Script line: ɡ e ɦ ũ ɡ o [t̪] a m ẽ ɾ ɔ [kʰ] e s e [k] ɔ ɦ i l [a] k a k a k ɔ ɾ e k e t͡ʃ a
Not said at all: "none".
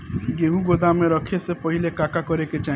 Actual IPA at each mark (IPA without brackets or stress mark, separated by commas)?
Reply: d̪, kʰ, p, e